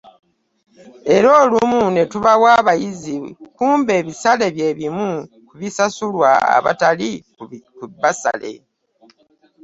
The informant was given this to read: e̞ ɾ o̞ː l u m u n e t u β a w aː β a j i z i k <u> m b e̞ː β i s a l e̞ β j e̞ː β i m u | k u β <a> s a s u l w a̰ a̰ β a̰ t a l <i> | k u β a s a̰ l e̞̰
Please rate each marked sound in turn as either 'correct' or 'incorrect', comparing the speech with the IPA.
incorrect: uː, incorrect: i, correct

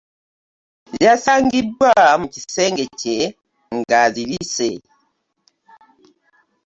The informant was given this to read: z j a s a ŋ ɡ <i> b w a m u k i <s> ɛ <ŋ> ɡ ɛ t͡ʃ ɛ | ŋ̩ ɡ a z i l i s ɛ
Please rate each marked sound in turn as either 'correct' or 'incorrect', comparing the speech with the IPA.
correct, correct, correct

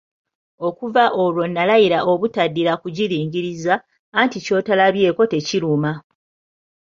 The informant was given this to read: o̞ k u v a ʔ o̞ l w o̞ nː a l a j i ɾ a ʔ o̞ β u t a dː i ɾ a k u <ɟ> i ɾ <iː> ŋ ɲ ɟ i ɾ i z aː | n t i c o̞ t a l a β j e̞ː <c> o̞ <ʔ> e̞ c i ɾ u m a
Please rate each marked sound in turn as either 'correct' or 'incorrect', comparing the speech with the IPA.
correct, correct, incorrect: k, incorrect: t

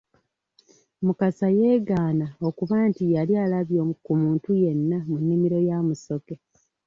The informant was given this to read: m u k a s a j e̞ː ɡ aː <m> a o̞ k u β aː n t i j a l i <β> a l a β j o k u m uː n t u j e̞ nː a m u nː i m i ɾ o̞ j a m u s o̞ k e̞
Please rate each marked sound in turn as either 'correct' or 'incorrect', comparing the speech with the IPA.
incorrect: n, incorrect: none

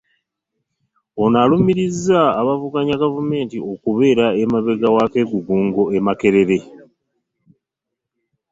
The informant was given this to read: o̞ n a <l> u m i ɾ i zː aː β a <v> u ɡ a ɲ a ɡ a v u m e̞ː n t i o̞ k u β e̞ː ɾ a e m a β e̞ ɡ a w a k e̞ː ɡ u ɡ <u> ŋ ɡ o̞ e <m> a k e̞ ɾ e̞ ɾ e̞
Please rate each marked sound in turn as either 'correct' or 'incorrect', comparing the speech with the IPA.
correct, correct, incorrect: uː, correct

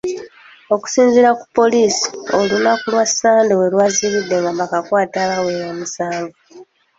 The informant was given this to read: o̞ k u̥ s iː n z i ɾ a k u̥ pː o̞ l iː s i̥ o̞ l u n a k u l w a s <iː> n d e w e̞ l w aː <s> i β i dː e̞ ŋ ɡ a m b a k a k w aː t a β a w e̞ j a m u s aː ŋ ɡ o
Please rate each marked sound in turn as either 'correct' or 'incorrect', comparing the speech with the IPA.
incorrect: aː, incorrect: z

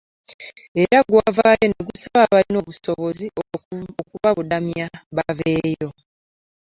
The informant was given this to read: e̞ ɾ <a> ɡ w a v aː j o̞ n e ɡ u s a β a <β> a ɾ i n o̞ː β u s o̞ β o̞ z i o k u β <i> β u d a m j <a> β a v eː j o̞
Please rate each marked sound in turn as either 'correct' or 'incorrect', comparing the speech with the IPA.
correct, correct, incorrect: a, correct

